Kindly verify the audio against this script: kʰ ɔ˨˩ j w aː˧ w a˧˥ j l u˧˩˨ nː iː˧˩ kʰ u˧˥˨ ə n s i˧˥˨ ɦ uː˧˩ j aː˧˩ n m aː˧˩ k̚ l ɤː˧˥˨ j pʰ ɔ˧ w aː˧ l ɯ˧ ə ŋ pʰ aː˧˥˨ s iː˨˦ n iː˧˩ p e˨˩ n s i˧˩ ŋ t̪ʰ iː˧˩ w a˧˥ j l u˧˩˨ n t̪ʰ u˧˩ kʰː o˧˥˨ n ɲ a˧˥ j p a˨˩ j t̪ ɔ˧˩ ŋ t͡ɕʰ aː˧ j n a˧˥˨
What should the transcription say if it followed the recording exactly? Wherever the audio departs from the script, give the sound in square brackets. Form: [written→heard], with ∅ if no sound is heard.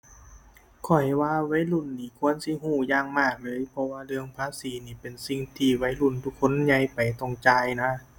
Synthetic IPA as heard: kʰ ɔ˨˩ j w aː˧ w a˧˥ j l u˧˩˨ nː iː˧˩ kʰ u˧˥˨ ə n s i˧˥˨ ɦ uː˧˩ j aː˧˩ [n→ŋ] m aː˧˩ k̚ l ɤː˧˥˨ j pʰ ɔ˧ w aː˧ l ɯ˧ ə ŋ pʰ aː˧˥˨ s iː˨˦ n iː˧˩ p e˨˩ n s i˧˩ ŋ t̪ʰ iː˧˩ w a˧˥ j l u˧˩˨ n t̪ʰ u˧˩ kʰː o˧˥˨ n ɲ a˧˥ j p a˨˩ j t̪ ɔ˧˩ ŋ [t͡ɕʰ→t͡ɕ] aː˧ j n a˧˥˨